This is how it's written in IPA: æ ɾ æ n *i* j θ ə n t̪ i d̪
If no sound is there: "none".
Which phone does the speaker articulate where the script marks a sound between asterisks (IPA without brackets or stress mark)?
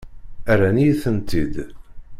i